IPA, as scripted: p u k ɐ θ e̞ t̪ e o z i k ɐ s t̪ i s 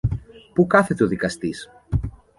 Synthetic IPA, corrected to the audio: p u k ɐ θ e̞ t̪ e o ð i k ɐ s t̪ i s